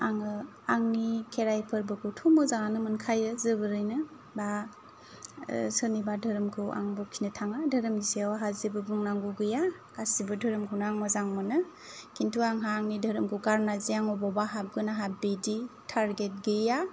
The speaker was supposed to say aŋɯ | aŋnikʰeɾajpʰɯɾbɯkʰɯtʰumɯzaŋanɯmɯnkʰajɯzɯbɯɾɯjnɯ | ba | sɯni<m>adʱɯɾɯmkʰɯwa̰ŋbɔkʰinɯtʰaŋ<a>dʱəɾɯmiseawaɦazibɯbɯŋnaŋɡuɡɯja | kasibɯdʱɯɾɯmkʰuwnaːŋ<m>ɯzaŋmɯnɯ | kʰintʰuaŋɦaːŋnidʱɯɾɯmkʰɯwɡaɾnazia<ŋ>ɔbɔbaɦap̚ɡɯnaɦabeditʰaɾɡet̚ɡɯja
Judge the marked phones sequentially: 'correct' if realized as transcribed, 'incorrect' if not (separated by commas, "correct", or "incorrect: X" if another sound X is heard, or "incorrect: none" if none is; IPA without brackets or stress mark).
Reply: incorrect: b, correct, correct, correct